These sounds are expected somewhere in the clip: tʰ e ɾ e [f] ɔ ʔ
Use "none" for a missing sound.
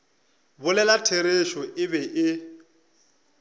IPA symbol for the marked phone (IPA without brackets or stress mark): ʃ